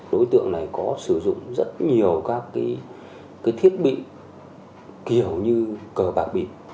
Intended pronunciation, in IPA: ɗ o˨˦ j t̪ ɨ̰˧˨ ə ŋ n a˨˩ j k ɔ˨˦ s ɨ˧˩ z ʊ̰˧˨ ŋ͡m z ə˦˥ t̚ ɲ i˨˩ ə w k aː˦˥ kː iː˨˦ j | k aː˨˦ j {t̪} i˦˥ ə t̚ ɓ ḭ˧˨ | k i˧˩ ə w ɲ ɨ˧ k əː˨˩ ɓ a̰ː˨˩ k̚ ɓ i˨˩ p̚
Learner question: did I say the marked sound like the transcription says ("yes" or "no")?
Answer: no